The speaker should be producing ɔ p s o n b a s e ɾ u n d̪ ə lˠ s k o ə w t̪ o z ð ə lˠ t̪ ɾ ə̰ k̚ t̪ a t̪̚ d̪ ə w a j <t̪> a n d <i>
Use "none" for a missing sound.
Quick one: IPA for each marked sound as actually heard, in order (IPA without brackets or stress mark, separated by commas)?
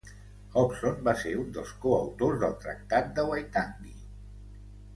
t̪, i